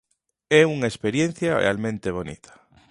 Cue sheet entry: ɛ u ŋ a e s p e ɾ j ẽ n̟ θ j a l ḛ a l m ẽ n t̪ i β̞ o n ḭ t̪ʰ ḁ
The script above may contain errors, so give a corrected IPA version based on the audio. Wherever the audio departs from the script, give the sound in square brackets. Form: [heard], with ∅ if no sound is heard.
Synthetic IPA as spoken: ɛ u ŋ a e s p e ɾ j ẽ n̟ θ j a [r] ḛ a l m ẽ n t̪ [e] β̞ o n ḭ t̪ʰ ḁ